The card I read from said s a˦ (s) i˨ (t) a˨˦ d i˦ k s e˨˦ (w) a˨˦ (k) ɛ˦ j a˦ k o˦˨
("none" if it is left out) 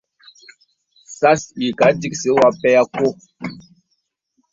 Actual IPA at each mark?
s, k, w, p

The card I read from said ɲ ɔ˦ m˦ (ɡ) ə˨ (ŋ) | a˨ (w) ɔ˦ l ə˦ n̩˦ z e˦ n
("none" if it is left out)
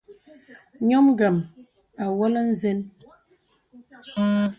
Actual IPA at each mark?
ɡ, m, w

